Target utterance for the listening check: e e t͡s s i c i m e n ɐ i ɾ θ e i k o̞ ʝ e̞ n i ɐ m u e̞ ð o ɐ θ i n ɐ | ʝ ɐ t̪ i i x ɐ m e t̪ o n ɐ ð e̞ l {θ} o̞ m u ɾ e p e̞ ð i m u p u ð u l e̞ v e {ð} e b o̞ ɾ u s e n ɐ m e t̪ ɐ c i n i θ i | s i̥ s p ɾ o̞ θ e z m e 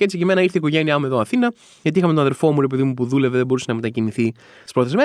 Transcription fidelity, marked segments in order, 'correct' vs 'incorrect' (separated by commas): incorrect, correct